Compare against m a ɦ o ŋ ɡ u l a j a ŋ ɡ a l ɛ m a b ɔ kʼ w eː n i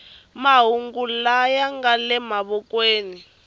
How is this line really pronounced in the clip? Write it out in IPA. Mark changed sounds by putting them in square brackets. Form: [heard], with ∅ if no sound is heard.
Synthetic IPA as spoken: m a ɦ [u] ŋ ɡ u l a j a ŋ ɡ a l ɛ m a [β] ɔ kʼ w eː n i